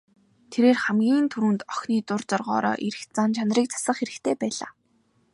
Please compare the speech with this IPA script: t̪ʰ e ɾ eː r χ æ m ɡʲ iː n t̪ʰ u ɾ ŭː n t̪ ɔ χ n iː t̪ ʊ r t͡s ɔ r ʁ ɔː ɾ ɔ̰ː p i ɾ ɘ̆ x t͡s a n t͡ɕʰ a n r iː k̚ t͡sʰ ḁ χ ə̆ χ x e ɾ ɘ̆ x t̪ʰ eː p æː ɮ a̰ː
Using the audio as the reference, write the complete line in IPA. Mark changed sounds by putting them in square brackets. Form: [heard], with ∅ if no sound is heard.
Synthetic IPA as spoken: t̪ʰ e ɾ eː r χ æ m ɡʲ iː n t̪ʰ u ɾ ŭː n t̪ ɔ [x] n iː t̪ ʊ r t͡s ɔ r ʁ ɔː ɾ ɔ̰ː [ʔ] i ɾ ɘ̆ x t͡s a n t͡ɕʰ a n r iː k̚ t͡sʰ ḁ [s] ə̆ χ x e ɾ ɘ̆ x t̪ʰ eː p æː ɮ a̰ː